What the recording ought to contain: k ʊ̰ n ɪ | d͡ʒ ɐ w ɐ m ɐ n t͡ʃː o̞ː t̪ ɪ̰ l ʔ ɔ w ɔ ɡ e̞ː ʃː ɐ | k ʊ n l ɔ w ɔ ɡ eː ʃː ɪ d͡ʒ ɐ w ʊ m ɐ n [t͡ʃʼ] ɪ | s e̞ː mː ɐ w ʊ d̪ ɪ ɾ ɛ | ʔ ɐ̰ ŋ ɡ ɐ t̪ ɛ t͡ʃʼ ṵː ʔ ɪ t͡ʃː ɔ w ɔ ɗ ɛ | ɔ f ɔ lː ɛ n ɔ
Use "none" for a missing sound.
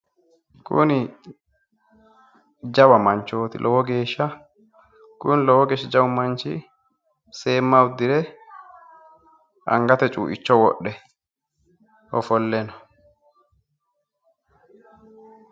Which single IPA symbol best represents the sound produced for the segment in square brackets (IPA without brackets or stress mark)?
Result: t͡ʃ